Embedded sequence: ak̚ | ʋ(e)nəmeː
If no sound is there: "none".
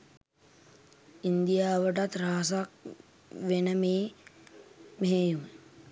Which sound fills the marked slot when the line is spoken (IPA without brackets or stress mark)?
e